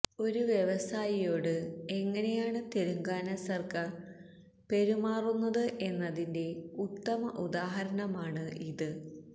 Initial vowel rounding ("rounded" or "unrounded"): rounded